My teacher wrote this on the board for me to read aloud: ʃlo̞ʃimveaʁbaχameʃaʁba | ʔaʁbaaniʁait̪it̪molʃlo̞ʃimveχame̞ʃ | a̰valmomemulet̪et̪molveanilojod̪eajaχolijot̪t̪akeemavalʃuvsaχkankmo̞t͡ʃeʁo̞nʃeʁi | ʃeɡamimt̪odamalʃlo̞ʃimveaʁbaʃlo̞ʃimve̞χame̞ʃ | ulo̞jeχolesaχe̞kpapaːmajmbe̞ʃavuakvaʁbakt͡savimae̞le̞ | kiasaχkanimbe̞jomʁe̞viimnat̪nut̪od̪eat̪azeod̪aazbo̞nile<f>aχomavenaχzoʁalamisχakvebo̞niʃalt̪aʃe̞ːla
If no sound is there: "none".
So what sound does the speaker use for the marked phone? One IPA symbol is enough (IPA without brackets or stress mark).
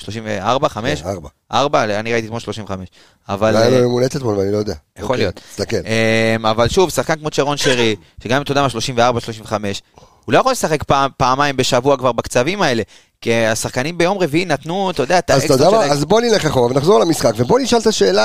χ